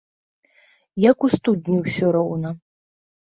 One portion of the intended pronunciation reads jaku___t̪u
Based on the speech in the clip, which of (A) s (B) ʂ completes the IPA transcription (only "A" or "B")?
A